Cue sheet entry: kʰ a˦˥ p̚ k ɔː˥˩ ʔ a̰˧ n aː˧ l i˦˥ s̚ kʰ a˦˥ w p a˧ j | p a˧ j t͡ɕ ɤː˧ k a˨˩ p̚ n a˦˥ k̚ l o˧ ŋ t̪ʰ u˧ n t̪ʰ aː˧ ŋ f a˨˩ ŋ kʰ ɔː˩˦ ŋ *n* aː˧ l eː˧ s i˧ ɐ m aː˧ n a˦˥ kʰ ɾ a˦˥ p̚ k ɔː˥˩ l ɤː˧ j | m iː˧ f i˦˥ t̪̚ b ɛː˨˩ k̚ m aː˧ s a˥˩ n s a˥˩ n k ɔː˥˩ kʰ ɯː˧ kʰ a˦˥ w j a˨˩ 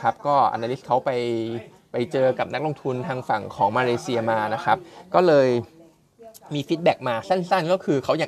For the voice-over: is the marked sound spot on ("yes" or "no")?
no